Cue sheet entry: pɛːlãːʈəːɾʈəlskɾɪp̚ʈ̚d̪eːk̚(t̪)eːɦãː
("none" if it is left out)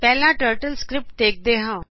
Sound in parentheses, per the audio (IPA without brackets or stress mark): d̪